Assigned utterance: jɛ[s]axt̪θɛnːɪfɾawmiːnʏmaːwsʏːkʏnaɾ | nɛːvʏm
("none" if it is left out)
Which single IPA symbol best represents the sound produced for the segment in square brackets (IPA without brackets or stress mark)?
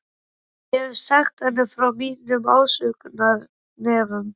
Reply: s